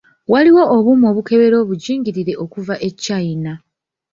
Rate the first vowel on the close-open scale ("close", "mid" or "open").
open